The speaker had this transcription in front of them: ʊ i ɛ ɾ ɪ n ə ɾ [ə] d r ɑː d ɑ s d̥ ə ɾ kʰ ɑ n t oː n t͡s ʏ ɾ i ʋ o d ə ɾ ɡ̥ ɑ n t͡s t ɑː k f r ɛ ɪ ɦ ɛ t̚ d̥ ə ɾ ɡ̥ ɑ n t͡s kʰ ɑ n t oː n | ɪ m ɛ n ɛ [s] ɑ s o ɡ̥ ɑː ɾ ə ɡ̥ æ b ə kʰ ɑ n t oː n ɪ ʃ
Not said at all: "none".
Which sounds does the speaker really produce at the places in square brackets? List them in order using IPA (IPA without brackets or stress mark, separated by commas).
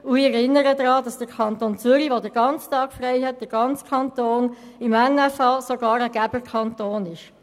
ə, f